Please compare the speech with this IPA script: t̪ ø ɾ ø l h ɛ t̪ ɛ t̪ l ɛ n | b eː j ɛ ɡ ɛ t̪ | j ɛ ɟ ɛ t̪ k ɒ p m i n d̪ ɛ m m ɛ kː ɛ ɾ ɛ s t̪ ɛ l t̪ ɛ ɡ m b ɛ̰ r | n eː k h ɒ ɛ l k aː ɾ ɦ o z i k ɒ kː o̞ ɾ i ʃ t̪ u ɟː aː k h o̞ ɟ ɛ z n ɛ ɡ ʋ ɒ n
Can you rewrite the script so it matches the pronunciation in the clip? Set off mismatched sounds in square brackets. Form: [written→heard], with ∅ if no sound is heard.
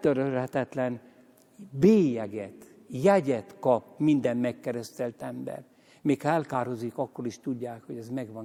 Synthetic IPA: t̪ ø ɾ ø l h ɛ t̪ ɛ t̪ l ɛ n | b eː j ɛ ɡ ɛ t̪ | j ɛ ɟ ɛ t̪ k ɒ p m i n d̪ ɛ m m ɛ kː ɛ ɾ ɛ s t̪ ɛ l t̪ ɛ [ɡ→∅] m b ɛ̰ r | [n→m] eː k h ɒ ɛ l k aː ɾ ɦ o z i k ɒ kː o̞ ɾ i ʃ t̪ u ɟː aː k h o̞ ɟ ɛ z [n→m] ɛ ɡ ʋ ɒ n